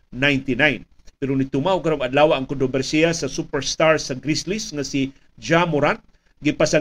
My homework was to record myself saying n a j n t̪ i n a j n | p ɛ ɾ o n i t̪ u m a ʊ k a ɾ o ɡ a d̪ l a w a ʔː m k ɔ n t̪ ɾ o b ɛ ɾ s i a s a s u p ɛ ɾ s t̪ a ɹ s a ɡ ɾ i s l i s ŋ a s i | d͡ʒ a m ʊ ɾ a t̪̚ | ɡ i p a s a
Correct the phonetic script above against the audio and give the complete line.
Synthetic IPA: n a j n t̪ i n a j n | p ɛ ɾ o n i t̪ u m a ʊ k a ɾ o ŋ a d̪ l a w a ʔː ŋ k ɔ n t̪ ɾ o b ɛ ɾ s i a s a s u p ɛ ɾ s t̪ a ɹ s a ɡ ɾ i s l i s ŋ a s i | d͡ʒ a m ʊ ɾ a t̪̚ | ɡ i p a s a